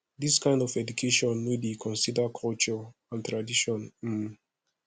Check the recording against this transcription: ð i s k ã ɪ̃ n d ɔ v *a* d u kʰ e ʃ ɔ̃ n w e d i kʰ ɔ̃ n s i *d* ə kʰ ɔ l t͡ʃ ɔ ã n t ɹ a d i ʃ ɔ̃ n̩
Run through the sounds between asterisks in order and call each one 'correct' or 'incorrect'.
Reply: incorrect: ɛ, correct

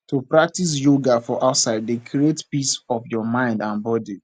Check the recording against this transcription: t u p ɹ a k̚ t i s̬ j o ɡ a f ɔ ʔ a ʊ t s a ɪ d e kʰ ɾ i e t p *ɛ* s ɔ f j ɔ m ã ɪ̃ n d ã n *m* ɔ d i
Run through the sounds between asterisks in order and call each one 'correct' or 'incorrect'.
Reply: incorrect: i, incorrect: b

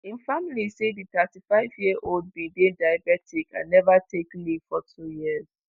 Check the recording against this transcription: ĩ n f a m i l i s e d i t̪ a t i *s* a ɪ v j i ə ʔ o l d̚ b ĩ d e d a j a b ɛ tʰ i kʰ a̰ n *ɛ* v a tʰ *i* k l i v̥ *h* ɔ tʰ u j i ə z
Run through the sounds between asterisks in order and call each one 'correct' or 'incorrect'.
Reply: incorrect: f, correct, incorrect: e, incorrect: f

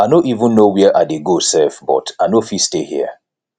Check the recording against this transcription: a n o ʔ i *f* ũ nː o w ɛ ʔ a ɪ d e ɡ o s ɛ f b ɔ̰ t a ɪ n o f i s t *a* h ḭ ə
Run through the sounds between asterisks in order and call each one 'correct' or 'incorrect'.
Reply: incorrect: v, incorrect: e

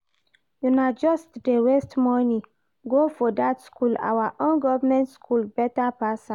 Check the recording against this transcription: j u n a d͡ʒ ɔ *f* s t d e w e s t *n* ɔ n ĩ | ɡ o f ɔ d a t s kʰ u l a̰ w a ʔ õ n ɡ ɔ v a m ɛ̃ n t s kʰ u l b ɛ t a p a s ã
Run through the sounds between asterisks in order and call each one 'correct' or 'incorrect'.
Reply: incorrect: none, incorrect: m

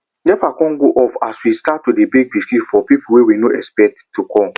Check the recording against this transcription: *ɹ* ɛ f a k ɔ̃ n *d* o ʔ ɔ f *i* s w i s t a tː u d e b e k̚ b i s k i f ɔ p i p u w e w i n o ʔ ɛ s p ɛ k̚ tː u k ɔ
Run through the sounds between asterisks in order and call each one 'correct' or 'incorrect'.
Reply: incorrect: l, incorrect: ɡ, incorrect: a

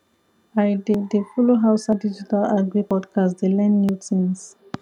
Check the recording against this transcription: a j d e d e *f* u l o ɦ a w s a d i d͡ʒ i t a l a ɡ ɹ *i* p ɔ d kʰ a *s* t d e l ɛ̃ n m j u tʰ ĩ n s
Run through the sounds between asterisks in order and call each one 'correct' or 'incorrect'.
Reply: correct, correct, correct

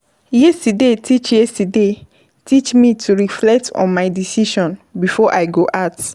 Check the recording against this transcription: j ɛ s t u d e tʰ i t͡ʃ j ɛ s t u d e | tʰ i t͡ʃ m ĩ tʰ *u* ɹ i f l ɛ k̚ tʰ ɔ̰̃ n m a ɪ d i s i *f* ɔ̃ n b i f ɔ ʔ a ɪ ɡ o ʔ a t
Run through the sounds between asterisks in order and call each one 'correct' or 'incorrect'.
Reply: correct, incorrect: ʃ

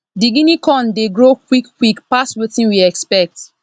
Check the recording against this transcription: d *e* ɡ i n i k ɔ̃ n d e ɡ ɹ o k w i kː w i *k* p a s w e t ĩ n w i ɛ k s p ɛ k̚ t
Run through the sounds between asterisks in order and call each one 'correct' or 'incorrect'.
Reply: incorrect: i, correct

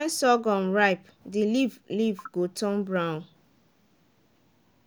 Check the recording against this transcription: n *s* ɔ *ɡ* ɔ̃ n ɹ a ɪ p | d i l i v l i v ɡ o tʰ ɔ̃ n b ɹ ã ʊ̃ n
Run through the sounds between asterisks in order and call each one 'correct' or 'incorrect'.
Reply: correct, correct

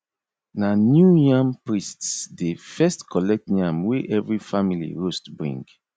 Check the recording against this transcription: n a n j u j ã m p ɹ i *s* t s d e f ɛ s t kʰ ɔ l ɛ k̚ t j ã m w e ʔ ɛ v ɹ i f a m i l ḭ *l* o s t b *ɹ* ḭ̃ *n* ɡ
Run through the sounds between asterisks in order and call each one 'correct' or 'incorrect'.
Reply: correct, incorrect: ɹ, correct, incorrect: ŋ

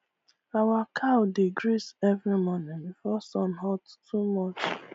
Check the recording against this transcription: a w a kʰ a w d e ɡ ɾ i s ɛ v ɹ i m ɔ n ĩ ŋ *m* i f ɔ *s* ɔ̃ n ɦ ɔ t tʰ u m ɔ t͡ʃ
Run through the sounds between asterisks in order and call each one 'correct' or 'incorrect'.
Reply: incorrect: b, correct

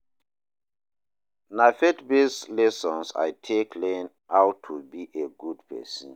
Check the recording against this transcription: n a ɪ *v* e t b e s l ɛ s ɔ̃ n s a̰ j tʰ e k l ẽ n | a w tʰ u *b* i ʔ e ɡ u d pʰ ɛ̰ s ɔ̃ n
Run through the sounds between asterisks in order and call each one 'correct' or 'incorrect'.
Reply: incorrect: f, correct

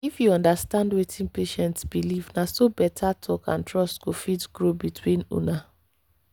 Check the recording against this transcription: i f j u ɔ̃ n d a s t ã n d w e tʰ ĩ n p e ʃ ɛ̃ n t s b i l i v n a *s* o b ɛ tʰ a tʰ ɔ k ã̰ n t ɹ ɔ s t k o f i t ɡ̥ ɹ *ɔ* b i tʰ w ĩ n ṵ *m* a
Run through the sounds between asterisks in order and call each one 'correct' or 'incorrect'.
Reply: correct, incorrect: o, incorrect: n

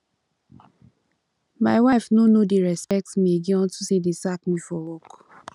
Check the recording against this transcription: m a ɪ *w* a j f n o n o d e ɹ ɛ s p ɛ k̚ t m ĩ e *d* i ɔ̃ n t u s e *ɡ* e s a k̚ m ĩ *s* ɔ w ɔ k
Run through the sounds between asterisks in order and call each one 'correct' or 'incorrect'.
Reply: correct, incorrect: ɡ, incorrect: d, incorrect: f

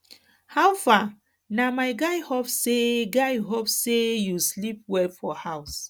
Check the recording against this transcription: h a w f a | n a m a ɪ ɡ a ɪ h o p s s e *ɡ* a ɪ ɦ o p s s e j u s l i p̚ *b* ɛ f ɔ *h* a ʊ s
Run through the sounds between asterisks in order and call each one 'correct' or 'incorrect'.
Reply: correct, incorrect: w, correct

